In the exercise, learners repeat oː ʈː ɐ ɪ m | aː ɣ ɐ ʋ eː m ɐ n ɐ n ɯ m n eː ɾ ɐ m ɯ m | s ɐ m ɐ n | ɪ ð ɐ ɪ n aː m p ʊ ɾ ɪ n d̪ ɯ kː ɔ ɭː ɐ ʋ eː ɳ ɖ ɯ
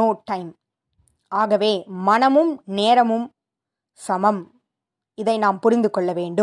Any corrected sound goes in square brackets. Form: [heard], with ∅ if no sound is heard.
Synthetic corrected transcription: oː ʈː ɐ ɪ m | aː ɣ ɐ ʋ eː m ɐ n ɐ [m] ɯ m n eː ɾ ɐ m ɯ m | s ɐ m ɐ [m] | ɪ ð ɐ ɪ n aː m p ʊ ɾ ɪ n d̪ ɯ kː ɔ ɭː ɐ ʋ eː ɳ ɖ ɯ